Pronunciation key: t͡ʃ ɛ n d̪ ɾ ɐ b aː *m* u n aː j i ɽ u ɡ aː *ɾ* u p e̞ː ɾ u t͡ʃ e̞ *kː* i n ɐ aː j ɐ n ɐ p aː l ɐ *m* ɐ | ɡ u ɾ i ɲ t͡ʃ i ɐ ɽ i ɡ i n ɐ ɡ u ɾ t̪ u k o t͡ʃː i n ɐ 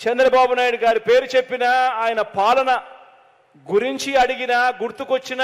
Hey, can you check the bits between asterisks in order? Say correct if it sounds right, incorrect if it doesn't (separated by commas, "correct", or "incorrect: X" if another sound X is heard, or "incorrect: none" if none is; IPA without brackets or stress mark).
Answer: incorrect: b, correct, incorrect: pː, incorrect: n